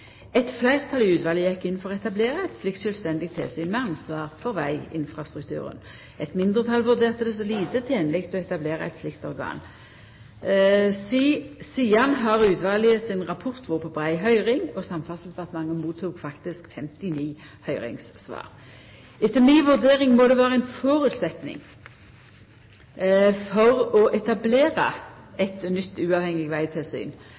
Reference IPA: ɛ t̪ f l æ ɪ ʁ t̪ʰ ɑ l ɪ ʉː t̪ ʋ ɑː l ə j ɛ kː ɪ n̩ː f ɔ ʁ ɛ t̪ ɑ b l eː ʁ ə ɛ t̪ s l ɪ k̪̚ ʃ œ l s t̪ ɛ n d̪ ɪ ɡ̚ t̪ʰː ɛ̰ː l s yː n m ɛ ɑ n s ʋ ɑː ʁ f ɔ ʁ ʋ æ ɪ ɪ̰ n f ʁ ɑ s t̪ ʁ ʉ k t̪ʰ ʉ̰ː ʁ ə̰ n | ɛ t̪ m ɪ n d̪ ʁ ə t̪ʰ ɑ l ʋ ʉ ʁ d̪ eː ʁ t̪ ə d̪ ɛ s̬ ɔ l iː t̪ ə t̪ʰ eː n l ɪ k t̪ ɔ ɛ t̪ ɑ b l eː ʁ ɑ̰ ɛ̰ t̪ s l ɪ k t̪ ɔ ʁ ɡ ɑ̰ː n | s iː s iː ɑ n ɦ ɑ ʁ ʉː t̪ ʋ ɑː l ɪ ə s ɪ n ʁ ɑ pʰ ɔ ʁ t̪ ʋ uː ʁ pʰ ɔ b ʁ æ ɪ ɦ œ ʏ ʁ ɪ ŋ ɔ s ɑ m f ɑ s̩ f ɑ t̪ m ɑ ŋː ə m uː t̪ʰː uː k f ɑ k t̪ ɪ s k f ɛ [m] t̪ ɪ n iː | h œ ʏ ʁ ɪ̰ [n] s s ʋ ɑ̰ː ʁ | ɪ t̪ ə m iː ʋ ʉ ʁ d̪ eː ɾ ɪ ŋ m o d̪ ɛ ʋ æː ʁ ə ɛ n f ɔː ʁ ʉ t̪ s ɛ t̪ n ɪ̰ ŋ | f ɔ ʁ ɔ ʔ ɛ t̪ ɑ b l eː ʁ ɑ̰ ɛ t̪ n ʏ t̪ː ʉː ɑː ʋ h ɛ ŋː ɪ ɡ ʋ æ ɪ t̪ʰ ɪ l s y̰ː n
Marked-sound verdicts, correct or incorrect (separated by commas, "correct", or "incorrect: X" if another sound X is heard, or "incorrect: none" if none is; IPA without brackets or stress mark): correct, incorrect: ŋ